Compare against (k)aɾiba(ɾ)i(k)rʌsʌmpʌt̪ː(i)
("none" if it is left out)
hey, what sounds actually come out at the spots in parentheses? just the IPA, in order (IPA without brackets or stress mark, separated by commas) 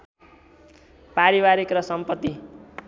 p, ɾ, k, i